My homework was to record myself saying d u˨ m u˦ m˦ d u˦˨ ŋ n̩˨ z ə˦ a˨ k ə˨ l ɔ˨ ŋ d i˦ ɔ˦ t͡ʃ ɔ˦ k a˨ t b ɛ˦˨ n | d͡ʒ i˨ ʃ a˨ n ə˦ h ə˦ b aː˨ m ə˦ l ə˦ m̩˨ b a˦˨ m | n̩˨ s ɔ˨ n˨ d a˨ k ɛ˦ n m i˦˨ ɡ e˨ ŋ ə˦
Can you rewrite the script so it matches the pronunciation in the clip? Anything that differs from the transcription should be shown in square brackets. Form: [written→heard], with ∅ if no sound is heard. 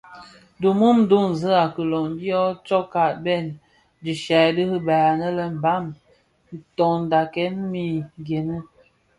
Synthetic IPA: d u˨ m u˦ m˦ d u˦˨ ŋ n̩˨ z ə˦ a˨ k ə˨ l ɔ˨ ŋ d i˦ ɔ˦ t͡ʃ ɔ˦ k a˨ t b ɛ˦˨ n | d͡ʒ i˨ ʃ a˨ [n→d] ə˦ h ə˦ b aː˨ [m→n] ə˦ l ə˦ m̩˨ b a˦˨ m | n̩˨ [s→t] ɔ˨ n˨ d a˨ k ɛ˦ n m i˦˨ ɡ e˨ [ŋ→n] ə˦